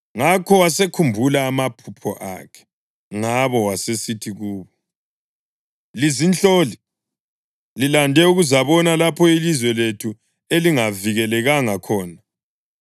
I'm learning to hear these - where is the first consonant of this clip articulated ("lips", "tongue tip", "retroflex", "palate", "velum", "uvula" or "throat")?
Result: velum